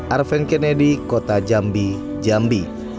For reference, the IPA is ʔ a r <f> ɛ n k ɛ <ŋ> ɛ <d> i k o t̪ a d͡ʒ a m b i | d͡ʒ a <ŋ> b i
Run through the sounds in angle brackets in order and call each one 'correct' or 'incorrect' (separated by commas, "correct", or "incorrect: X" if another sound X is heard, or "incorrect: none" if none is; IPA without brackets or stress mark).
correct, incorrect: n, correct, incorrect: m